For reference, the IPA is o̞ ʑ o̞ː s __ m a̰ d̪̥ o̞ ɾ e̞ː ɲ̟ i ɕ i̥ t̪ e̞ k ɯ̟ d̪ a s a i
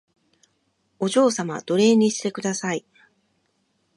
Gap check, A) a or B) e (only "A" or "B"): A